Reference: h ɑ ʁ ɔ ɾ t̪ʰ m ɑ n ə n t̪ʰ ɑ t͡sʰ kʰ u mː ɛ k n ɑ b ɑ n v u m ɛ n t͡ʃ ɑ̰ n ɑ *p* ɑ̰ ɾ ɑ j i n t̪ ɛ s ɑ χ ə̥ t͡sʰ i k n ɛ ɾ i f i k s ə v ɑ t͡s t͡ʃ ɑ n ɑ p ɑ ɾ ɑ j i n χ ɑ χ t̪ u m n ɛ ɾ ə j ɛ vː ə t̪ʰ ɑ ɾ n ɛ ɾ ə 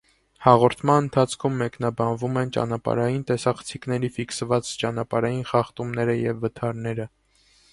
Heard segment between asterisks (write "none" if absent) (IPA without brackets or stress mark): p